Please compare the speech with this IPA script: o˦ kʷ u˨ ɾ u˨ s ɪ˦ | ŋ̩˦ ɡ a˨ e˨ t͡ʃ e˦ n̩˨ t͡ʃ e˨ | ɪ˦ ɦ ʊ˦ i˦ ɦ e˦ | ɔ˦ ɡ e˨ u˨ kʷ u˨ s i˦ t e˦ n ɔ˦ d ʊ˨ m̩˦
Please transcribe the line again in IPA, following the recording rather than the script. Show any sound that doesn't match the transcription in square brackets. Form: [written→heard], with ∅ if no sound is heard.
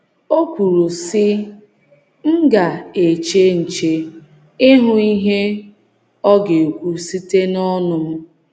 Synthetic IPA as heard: o˦ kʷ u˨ ɾ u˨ s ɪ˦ | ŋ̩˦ ɡ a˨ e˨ t͡ʃ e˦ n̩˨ t͡ʃ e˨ | ɪ˦ ɦ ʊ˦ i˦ ɦ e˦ | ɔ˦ ɡ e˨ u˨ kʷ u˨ s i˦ t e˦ n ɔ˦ [d→n] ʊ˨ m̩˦